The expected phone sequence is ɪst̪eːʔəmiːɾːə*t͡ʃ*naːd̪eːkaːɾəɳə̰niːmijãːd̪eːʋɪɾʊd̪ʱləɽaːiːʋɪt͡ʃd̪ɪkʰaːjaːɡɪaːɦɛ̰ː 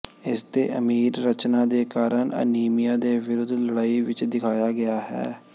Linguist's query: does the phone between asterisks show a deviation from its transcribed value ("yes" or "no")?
no